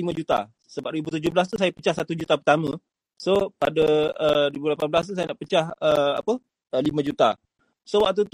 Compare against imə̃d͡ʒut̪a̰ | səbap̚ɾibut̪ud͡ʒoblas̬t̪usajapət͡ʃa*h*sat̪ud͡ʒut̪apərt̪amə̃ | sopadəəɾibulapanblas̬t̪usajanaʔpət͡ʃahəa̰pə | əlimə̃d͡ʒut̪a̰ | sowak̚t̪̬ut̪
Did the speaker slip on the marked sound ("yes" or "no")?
no